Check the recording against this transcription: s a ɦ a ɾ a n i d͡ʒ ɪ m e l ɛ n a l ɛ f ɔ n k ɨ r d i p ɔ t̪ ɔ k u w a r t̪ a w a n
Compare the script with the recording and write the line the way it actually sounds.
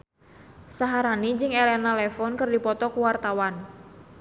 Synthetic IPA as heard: s a ɦ a ɾ a n i d͡ʒ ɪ ŋ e l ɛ n a l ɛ f ɔ n k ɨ r d i p ɔ t̪ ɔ k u w a r t̪ a w a n